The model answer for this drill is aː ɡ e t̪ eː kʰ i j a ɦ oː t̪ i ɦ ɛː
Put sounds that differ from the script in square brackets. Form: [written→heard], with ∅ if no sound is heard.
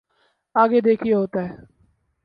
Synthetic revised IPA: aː ɡ e [t̪→d̪] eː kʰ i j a ɦ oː t̪ [i→a] ɦ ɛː